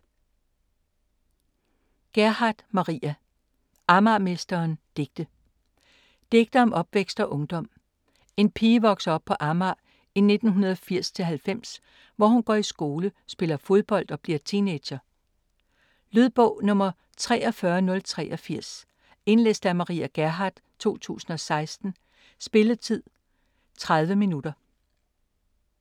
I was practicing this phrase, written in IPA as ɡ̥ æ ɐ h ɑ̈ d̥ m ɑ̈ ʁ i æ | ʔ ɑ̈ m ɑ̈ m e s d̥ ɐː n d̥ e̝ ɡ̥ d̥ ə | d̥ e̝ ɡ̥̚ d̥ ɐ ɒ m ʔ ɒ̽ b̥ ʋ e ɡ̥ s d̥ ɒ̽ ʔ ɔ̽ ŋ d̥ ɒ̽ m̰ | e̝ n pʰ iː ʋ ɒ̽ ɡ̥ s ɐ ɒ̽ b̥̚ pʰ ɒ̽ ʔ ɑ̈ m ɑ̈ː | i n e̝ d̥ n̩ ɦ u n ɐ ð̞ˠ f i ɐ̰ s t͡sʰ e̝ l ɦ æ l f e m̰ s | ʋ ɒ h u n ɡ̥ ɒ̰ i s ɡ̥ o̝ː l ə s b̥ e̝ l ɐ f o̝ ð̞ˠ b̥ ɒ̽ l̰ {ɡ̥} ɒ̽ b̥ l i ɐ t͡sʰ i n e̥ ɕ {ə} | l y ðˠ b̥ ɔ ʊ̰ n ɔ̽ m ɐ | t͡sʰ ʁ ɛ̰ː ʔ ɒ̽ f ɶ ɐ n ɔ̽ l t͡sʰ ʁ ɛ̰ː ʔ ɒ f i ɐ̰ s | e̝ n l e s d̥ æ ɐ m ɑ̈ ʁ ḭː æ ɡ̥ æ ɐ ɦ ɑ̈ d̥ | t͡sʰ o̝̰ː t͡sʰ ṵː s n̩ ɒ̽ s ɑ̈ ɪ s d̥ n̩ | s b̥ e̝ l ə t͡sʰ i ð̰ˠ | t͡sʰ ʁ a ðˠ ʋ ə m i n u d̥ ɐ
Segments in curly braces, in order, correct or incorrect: incorrect: d̥, incorrect: ɐ

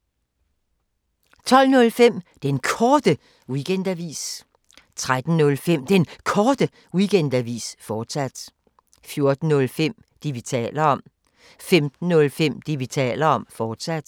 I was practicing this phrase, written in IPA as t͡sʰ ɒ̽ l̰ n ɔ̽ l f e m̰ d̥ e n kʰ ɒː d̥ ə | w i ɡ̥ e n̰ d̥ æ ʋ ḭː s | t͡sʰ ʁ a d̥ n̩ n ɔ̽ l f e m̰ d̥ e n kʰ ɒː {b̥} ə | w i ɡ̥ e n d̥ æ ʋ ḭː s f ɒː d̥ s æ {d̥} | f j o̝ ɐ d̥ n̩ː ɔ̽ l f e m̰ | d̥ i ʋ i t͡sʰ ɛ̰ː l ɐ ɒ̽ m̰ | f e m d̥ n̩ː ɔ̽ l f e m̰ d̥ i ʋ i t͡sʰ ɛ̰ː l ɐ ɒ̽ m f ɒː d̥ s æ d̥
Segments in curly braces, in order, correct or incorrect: incorrect: d̥, correct

